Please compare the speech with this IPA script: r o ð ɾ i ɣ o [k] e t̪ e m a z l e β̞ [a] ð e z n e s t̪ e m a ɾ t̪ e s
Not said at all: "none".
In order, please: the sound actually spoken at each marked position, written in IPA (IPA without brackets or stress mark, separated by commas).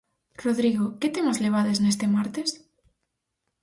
k, a